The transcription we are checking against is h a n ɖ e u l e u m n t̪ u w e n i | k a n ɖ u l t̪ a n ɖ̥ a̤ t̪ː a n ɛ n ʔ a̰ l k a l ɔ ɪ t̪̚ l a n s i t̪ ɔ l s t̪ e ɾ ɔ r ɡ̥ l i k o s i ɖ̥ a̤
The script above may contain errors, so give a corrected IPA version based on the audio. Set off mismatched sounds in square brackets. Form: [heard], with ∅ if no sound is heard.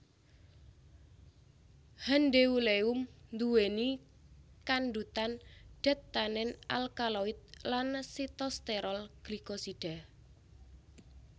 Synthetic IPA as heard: h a n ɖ e u l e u m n [d̪] u w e n i | k a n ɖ u [∅] t̪ a n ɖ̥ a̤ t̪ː a n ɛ n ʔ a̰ l k a l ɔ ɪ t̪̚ l a n s i t̪ ɔ [∅] s t̪ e ɾ ɔ [l] ɡ̥ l i k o s i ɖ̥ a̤